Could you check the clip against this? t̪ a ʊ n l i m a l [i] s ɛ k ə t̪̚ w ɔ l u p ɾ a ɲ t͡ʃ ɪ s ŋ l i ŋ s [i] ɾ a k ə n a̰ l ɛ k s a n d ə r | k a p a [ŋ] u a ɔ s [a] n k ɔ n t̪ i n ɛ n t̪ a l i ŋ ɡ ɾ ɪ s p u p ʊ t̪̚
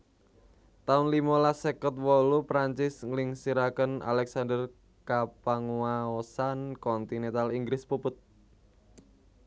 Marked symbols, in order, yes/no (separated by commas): no, yes, yes, yes